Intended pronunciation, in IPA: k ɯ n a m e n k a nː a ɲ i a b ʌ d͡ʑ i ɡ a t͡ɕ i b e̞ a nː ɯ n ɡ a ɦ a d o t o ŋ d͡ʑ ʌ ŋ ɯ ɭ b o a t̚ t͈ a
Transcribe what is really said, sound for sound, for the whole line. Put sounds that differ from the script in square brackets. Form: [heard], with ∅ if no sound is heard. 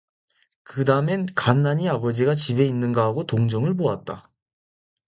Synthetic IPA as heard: k ɯ [d] a m e n k a nː a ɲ i a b ʌ d͡ʑ i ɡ a t͡ɕ i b e̞ [i] nː ɯ n ɡ a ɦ a [ɡ] o t o ŋ d͡ʑ ʌ ŋ ɯ ɭ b o a t̚ t͈ a